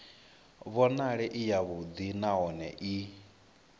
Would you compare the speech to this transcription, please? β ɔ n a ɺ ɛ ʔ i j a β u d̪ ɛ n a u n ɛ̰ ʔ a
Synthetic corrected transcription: β ɔ n a ɺ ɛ ʔ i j a β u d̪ i n a ɔ n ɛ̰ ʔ i